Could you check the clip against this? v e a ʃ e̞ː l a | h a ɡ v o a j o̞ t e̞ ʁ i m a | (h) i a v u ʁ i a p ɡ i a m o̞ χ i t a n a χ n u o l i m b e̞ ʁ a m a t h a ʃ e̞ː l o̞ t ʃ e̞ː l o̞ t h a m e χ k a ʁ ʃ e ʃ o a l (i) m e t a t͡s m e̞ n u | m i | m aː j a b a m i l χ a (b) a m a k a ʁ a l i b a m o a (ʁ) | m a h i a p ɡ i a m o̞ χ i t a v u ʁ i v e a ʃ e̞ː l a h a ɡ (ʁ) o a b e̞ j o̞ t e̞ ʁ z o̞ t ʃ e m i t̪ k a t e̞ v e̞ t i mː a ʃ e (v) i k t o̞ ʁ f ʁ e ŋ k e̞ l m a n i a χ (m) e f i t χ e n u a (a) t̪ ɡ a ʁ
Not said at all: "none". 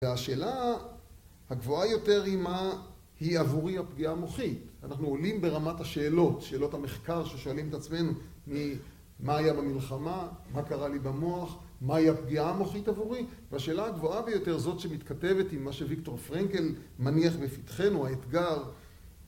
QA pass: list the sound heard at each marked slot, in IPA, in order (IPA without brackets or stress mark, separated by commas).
h, i, m, χ, v, v, b, e